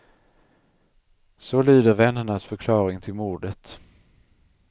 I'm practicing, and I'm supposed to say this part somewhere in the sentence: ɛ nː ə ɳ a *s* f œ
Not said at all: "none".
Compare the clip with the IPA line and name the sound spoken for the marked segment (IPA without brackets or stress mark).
s